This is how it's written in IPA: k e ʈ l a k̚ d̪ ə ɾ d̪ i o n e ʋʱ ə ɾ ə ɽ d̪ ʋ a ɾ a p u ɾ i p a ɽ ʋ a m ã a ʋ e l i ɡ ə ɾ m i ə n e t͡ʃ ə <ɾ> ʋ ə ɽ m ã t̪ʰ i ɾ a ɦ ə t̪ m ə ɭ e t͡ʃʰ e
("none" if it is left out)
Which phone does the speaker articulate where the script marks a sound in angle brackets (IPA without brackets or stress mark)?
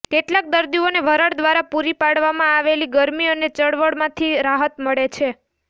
ɽ